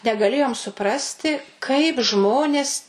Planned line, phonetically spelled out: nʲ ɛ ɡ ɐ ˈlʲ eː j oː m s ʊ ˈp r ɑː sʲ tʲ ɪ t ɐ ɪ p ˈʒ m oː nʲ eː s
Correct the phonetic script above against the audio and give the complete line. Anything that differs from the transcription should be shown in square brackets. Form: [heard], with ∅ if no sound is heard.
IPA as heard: nʲ ɛ ɡ ɐ ˈlʲ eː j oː m s ʊ ˈp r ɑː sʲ tʲ ɪ [k] ɐ ɪ p ˈʒ m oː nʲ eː s